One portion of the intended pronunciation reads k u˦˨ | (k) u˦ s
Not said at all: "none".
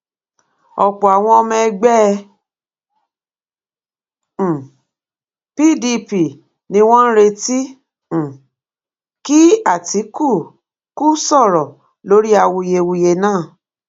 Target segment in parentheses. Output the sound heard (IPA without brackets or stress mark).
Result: k